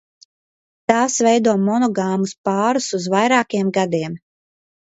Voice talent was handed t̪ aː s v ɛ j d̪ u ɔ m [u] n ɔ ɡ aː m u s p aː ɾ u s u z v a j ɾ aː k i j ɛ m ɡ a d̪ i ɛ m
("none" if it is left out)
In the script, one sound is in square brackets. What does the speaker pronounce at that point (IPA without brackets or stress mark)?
ɔ